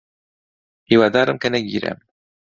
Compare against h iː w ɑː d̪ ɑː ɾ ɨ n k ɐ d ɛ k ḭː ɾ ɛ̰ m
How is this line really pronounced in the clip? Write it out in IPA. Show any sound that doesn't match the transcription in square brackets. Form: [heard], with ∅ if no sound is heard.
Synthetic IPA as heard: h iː w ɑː d̪ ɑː ɾ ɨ [m] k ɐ [n] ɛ [ɡ] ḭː ɾ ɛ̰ m